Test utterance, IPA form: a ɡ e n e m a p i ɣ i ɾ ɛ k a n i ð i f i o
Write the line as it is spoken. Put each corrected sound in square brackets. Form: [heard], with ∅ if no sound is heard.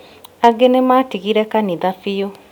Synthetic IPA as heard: a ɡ e n e m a [t] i ɣ i ɾ ɛ k a n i ð [a] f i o